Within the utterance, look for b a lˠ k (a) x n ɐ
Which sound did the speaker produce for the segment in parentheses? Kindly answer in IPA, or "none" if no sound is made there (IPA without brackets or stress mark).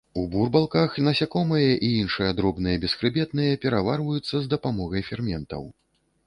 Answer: a